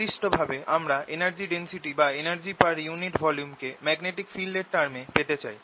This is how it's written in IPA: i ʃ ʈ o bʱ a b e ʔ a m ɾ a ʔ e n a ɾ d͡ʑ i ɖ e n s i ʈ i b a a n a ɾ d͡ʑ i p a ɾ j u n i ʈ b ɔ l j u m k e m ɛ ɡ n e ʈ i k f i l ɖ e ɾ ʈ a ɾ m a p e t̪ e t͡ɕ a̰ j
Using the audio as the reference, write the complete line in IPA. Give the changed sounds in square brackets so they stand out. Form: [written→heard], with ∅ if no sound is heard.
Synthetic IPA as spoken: i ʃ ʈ o bʱ a b e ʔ a m ɾ a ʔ e n a ɾ d͡ʑ i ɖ e n s i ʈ i b a [a→e] n a ɾ d͡ʑ i p a ɾ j u n i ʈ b ɔ l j u m k e m ɛ ɡ n e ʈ i k f i l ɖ e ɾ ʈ a ɾ m [a→e] p e t̪ e t͡ɕ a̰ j